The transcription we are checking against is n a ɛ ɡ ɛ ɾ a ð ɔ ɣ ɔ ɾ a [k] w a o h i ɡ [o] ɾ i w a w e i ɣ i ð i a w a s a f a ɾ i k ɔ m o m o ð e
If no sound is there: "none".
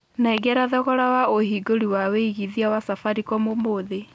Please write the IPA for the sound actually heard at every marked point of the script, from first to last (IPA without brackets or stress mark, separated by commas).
none, o